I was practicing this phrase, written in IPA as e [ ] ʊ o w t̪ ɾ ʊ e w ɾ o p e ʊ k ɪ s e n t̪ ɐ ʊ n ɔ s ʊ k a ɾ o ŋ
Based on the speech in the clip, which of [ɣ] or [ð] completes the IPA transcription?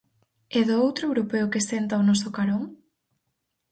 ð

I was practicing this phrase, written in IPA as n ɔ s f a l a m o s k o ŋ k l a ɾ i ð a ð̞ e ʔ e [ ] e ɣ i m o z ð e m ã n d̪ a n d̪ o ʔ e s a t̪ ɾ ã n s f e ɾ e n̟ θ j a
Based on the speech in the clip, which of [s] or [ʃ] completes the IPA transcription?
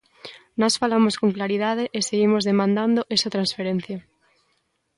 s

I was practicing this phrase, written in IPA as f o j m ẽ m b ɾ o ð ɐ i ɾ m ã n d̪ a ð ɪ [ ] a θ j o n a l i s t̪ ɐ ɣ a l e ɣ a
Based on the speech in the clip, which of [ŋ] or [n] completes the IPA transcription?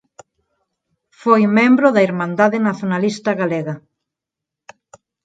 n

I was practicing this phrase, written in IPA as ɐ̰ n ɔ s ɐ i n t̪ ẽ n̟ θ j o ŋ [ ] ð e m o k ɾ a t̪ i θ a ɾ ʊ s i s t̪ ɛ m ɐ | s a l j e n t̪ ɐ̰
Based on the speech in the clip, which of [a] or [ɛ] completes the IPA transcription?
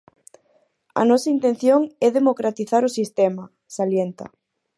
ɛ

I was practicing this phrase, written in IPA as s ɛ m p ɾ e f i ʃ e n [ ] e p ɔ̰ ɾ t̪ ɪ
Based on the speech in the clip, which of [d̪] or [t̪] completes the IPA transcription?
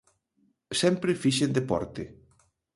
d̪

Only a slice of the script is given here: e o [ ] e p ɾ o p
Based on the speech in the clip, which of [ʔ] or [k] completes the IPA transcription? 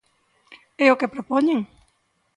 k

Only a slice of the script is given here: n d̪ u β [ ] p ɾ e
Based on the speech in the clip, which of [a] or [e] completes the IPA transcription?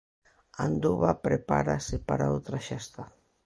a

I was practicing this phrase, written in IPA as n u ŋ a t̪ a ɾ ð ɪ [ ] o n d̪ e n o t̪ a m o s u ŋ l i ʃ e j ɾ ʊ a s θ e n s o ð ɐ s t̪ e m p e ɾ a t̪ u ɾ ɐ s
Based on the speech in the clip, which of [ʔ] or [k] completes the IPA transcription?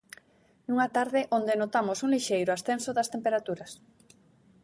ʔ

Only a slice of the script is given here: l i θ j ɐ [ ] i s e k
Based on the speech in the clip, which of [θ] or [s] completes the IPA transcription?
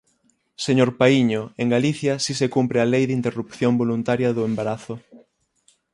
s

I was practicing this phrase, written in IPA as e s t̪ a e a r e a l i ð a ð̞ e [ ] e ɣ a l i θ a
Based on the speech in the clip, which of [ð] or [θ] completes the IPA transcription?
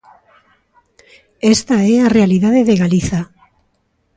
ð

